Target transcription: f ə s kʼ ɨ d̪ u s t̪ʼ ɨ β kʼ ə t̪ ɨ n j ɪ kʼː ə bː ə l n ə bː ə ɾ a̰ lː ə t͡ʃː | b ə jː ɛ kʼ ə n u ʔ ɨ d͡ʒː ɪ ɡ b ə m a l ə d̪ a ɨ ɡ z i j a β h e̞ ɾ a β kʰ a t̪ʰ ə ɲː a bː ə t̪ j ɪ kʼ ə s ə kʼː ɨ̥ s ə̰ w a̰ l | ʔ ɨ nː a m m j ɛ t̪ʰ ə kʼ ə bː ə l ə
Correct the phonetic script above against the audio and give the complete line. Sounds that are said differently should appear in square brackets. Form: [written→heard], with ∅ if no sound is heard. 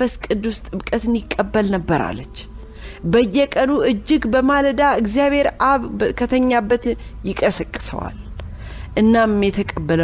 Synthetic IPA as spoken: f ə s kʼ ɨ d̪ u s t̪ʼ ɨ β kʼ ə t̪ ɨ n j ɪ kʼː ə bː ə l n ə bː ə ɾ a̰ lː ə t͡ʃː | b ə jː ɛ kʼ ə n u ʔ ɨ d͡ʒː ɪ ɡ b ə m a l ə d̪ a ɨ ɡ z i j a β h e̞ ɾ a β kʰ [a→ə] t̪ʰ ə ɲː a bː ə t̪ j ɪ kʼ ə s ə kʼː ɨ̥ s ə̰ w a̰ l | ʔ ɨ nː a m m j ɛ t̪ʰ ə kʼ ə bː ə l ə